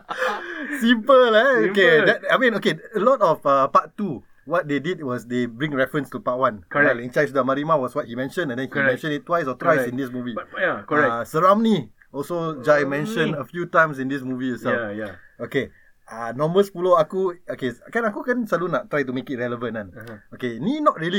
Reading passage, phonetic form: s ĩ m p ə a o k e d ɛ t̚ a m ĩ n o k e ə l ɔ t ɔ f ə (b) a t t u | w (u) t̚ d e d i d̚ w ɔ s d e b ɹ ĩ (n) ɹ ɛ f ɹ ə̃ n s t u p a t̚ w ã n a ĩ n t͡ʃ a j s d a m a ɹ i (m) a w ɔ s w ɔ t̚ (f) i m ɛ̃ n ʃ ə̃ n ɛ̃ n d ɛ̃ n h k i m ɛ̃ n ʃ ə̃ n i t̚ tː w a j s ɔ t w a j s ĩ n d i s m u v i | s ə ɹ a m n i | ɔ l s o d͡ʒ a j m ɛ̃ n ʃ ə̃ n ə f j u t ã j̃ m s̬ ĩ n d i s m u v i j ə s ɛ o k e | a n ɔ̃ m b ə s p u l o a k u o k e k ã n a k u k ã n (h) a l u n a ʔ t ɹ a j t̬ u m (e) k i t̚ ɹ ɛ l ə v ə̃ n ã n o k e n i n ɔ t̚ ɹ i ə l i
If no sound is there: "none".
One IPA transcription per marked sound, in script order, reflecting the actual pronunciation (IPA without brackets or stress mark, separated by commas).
p, ɔ, ŋ, m, h, s, e